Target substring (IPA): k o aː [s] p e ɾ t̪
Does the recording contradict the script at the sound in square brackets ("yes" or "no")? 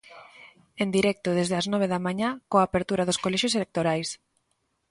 yes